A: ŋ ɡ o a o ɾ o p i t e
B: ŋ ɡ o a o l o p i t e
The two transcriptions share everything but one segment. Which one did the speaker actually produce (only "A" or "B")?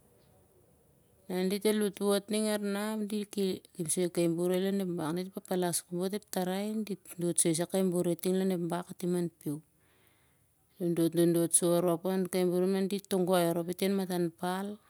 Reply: A